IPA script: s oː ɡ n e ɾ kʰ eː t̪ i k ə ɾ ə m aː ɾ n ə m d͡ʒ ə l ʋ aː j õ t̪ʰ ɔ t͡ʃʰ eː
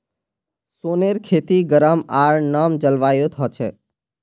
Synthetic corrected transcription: s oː n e ɾ kʰ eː t̪ i ɡ ə ɾ ə m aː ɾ n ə m d͡ʒ ə l ʋ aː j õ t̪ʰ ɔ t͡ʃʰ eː

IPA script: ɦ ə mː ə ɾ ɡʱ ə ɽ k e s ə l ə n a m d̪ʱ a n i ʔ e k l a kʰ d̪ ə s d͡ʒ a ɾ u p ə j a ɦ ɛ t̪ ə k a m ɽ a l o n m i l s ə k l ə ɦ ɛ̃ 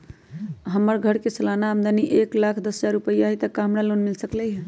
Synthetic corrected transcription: ɦ ə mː ə ɾ ɡʱ ə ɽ k e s ə l a n a m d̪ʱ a n i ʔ e k l a kʰ d̪ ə s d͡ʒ a ɾ u p ə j a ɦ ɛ t̪ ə k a m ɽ a l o n m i l s ə k l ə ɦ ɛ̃

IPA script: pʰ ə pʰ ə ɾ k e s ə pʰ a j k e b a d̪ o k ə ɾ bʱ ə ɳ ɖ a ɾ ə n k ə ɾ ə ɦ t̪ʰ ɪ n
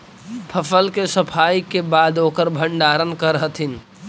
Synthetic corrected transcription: pʰ ə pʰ ə l k e s ə pʰ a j k e b a d̪ o k ə ɾ bʱ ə ɳ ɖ a ɾ ə n k ə ɾ ə ɦ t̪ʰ i n

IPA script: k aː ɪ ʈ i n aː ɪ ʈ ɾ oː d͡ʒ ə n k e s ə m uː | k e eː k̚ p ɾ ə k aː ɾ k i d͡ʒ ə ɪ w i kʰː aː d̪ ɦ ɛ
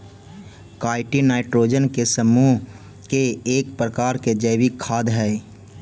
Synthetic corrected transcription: k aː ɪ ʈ i n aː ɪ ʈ ɾ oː d͡ʒ ə n k e s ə m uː | k e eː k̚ p ɾ ə k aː ɾ k e d͡ʒ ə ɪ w i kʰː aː d̪ ɦ ɛ

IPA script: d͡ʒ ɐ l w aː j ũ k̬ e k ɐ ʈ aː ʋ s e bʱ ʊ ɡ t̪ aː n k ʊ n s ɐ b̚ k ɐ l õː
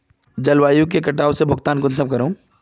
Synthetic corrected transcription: d͡ʒ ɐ l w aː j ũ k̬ e k ɐ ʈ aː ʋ s e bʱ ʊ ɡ t̪ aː n k ʊ n s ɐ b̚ k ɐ ɾ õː

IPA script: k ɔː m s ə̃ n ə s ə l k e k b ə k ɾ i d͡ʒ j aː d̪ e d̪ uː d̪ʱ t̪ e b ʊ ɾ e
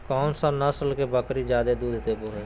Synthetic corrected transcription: k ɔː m s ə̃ n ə s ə l k e b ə k ɾ i d͡ʒ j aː d̪ e d̪ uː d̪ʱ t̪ e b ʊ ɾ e

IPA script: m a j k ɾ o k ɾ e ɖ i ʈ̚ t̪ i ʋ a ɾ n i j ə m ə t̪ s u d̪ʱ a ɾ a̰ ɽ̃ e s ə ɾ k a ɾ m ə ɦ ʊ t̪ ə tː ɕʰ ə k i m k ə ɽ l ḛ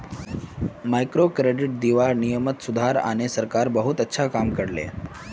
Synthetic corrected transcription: m a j k ɾ o k ɾ e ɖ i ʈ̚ d̪ i ʋ a ɾ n i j ə m ə t̪ s u d̪ʱ a ɾ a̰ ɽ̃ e s ə ɾ k a ɾ b ə ɦ u t̪ ə tː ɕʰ a k a m k ə ɽ l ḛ

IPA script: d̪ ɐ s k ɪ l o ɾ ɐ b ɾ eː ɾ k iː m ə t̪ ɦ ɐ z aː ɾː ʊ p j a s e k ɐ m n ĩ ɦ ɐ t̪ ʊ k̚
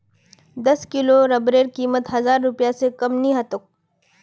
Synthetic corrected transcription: d̪ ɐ s k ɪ l o ɾ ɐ b ɾ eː ɾ k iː m ə t̪ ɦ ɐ z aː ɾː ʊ p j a s e k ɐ m n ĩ ɦ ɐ t̪ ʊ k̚

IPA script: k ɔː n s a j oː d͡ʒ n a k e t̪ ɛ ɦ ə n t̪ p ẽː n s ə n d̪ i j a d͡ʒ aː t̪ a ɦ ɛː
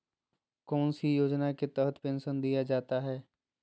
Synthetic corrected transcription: k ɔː n s i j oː d͡ʒ n a k e t̪ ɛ ɦ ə t̪ p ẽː n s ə n d̪ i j a d͡ʒ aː t̪ a ɦ ɛː

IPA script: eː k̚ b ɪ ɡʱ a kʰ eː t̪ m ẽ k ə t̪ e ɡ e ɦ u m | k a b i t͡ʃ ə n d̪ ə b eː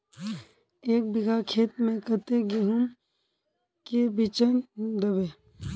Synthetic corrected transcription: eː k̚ b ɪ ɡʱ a kʰ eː t̪ m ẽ k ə t̪ e ɡ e ɦ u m | k e b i t͡ʃ ə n d̪ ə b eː

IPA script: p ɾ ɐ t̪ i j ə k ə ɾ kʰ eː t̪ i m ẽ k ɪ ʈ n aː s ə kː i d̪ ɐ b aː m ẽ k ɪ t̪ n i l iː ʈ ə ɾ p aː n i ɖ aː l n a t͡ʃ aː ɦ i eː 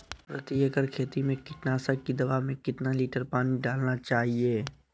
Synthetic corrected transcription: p ɾ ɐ t̪ i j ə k ə ɾ kʰ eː t̪ i m ẽ k ɪ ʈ n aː s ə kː i d̪ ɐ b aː m ẽ k ɪ t̪ n a l iː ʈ ə ɾ p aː n i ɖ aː l n a t͡ʃ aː ɦ i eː

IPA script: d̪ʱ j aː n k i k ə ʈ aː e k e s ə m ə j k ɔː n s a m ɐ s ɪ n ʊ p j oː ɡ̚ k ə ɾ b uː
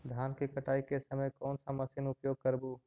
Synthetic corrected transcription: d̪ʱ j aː n k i k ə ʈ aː i k e s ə m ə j k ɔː n s a m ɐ s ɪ n ʊ p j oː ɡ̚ k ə ɾ b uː

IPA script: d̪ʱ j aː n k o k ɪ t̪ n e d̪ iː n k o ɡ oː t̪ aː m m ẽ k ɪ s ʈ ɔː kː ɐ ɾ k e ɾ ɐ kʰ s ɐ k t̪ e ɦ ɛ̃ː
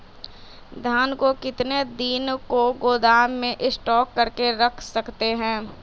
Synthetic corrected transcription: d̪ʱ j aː n k o k ɪ t̪ n e d̪ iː n k o ɡ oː d̪ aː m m ẽ ʔ ɪ s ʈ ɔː kː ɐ ɾ k e ɾ ɐ kʰ s ɐ k t̪ e ɦ ɛ̃ː

